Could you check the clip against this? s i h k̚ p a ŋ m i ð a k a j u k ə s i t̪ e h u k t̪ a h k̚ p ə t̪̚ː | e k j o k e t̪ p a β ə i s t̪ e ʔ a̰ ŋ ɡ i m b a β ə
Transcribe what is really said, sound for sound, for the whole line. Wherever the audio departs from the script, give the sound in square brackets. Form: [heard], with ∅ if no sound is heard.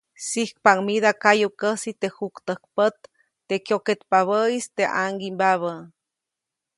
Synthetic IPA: s i h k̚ p a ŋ m i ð a k a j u k ə s i t̪ e h u k t̪ [ə] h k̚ p ə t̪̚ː | e k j o k e t̪ p a β ə i s t̪ e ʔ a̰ ŋ ɡ i m b a β ə